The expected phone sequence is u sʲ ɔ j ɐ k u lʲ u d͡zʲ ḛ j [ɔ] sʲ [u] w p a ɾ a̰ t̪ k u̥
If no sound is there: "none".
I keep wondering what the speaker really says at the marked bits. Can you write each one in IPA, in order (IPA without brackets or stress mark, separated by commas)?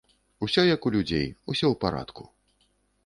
u, ɔ